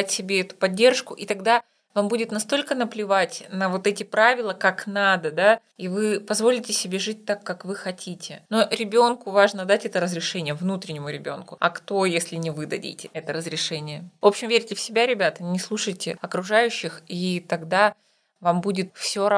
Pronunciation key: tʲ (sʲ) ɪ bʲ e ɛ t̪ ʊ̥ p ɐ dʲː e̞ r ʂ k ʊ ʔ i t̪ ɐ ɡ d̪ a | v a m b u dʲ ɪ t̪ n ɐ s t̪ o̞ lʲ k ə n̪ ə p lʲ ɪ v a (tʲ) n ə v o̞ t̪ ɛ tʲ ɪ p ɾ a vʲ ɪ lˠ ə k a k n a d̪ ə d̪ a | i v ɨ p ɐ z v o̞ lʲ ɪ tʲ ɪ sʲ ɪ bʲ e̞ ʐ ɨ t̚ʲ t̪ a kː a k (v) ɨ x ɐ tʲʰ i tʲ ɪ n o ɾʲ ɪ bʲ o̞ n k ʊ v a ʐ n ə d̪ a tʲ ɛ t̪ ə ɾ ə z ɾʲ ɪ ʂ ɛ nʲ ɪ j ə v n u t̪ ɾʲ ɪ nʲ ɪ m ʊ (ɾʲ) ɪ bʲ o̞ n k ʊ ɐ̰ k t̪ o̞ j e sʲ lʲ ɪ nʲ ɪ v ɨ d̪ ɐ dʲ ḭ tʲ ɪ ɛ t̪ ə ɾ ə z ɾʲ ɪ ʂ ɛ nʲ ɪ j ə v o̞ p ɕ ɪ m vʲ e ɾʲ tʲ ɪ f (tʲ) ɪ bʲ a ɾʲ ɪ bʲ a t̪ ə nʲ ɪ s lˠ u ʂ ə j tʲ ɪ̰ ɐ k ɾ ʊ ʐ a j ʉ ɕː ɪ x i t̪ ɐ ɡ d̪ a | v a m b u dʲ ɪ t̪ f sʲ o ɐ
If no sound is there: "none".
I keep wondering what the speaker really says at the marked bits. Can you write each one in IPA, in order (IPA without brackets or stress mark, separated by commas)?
sʲ, tʲ, v, ɾʲ, sʲ